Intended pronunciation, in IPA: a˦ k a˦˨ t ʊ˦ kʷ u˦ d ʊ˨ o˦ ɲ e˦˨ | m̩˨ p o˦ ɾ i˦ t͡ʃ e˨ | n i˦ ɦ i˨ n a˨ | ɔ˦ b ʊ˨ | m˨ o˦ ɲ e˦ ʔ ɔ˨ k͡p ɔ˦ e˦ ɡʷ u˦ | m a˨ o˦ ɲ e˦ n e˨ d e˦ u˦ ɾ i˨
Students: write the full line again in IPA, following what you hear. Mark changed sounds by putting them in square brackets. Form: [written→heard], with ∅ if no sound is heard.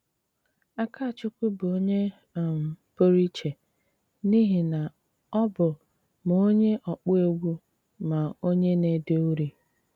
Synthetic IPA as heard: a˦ k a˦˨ [t→t͡ʃ] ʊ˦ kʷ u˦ [d→b] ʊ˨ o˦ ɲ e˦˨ | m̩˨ p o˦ ɾ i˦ t͡ʃ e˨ | n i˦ ɦ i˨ n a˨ | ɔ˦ b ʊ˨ | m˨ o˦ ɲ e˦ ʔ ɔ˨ k͡p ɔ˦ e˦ ɡʷ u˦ | m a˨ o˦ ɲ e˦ n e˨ d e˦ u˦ ɾ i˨